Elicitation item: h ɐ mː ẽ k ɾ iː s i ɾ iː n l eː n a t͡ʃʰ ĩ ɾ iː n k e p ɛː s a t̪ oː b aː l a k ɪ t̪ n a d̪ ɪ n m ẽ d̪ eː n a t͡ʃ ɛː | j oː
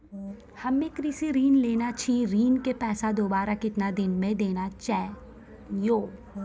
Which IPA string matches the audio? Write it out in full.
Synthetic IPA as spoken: h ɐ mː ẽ k ɾ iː s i ɾ iː n l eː n a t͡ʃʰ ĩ ɾ iː n k e p ɛː s a d̪ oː b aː ɾ a k ɪ t̪ n a d̪ ɪ n m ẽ d̪ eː n a t͡ʃ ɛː | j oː